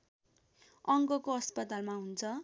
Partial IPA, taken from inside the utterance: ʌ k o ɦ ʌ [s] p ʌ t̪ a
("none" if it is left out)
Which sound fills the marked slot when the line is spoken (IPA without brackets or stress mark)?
s